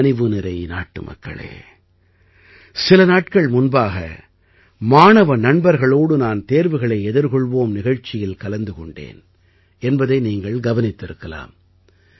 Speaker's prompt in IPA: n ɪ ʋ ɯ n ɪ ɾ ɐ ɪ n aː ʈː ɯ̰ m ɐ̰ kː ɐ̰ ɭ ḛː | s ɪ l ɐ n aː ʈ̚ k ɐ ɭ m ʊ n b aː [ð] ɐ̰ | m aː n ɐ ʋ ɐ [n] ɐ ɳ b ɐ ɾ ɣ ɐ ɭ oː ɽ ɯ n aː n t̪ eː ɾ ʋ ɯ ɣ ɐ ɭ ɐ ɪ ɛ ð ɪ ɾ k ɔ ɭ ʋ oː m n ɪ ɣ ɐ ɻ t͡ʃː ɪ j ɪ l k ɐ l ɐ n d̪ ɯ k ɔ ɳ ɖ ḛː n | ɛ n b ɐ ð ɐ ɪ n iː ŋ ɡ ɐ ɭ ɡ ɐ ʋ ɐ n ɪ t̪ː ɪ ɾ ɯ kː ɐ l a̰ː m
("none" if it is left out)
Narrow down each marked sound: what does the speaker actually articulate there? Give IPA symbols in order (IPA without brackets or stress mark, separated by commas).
ɣ, n